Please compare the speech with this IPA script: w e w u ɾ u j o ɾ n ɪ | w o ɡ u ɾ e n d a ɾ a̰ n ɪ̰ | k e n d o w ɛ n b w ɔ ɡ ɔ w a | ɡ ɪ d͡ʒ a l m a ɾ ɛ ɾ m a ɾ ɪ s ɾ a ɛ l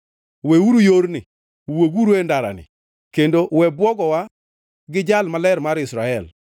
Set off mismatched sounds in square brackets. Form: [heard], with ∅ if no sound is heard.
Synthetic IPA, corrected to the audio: w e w u ɾ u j o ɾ n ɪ | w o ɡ u ɾ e n d a ɾ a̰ n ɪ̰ | k e n d o w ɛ [∅] b w ɔ ɡ ɔ w a | ɡ ɪ d͡ʒ a l m a [l] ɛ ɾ m a ɾ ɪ s ɾ a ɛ l